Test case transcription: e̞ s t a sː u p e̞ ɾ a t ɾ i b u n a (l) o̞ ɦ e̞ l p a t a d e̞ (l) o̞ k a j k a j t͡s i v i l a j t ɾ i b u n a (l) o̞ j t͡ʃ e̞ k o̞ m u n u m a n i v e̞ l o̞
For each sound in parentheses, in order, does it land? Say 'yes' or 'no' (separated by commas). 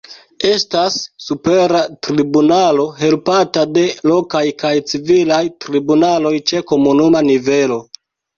yes, yes, yes